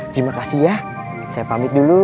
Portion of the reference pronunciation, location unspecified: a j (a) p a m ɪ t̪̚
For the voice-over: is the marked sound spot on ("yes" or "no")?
yes